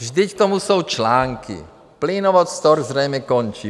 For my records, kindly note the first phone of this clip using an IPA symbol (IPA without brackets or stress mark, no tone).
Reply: ʒ